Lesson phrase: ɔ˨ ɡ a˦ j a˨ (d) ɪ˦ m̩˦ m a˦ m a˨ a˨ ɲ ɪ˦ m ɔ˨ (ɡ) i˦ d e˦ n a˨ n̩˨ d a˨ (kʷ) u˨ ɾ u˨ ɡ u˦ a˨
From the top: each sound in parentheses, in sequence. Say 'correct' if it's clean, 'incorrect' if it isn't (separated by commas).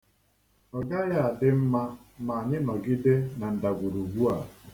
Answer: correct, correct, incorrect